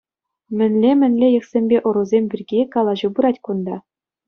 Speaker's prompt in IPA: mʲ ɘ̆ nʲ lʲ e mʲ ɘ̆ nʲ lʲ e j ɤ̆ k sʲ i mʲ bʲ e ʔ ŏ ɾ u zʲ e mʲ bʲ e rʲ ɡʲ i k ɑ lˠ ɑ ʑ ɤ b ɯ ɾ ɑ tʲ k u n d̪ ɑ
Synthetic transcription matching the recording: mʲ ɘ̆ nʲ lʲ e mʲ ɘ̆ nʲ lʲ e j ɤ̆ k sʲ e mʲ bʲ e ʔ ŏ ɾ u zʲ e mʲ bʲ i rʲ ɡʲ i k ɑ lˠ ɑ ʑ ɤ b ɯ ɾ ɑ tʲ k u n d̪ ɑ